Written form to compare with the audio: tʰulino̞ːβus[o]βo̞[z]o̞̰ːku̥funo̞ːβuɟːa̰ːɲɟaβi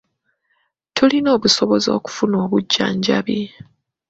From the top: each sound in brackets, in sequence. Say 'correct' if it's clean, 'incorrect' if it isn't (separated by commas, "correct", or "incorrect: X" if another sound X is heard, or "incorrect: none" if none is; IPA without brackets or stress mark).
correct, correct